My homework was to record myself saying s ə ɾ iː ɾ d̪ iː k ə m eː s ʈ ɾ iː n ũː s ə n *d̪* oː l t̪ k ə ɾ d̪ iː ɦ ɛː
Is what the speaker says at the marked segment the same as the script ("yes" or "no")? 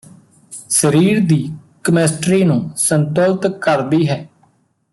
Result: no